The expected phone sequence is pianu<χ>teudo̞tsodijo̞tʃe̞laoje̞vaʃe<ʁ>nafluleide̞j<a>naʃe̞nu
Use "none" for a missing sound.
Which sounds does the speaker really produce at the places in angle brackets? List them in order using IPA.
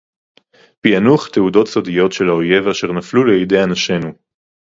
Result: χ, ʁ, a

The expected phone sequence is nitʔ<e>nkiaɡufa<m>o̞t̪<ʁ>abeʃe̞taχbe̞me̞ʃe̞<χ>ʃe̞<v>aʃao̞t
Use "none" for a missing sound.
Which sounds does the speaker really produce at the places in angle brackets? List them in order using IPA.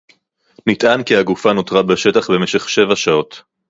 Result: a, n, ʁ, χ, v

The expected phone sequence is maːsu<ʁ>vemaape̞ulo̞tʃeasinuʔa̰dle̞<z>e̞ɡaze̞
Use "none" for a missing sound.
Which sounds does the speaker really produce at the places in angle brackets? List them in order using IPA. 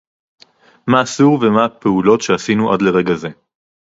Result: ʁ, ʁ

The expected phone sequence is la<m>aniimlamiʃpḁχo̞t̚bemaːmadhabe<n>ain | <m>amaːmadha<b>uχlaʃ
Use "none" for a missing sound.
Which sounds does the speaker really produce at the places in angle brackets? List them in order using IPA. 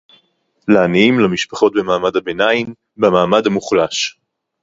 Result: none, n, b, m

